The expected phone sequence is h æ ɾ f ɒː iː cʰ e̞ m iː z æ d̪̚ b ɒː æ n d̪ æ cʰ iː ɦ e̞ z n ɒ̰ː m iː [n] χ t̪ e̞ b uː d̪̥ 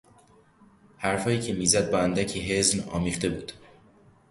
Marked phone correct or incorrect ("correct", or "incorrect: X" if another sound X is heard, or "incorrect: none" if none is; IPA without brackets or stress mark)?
incorrect: none